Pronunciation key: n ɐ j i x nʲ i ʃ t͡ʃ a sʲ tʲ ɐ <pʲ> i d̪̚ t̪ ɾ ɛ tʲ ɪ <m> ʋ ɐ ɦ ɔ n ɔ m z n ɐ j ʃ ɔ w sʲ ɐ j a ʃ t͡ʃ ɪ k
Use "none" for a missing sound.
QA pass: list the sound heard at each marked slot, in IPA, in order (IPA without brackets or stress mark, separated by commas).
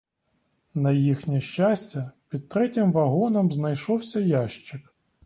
pʲ, m